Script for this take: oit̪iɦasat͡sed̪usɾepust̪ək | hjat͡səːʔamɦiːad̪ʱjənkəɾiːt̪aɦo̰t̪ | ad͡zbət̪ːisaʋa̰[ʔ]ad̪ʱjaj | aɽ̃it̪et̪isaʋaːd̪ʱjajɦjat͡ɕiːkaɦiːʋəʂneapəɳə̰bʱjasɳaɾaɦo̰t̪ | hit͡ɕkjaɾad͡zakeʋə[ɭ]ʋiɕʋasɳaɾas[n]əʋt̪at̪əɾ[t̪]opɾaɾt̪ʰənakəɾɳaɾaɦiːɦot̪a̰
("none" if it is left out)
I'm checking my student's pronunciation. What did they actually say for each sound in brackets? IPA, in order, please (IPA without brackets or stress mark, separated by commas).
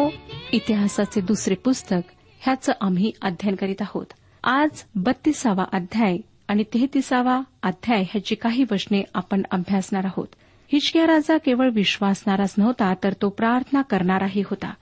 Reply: ʔ, ɭ, n, t̪